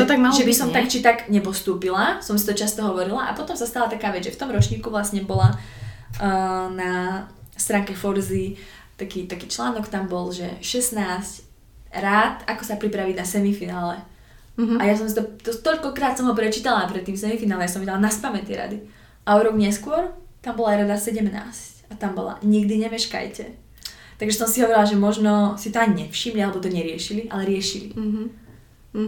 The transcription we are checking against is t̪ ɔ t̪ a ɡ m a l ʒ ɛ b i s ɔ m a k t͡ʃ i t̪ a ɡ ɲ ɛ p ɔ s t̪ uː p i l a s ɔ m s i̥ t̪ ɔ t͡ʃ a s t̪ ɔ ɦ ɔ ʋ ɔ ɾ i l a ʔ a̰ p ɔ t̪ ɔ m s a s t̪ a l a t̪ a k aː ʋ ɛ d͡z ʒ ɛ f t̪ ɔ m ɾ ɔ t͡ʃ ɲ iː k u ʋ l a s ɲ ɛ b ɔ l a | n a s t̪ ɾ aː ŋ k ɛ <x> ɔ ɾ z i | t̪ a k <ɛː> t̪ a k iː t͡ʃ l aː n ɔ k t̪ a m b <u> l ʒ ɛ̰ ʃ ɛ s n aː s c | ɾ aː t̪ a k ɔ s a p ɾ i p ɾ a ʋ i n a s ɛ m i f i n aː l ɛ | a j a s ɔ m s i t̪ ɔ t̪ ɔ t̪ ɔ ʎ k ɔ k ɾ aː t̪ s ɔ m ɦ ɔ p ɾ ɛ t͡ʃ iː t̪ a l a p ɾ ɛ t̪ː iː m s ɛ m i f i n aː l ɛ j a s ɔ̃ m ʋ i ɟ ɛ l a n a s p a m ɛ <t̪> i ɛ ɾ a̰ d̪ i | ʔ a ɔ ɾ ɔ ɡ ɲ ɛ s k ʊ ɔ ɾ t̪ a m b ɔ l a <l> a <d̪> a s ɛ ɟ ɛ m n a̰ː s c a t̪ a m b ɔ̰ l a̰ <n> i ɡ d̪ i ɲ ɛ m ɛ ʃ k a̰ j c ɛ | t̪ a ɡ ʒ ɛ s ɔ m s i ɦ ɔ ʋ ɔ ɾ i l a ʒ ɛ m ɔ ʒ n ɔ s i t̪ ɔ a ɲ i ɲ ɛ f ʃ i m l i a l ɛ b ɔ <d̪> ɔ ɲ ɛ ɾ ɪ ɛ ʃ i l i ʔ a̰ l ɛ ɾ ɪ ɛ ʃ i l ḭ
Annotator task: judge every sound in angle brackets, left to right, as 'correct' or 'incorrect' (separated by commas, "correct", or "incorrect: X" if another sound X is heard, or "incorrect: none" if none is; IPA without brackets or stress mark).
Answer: incorrect: f, incorrect: iː, incorrect: ɔ, correct, incorrect: ɾ, correct, incorrect: ɲ, incorrect: t̪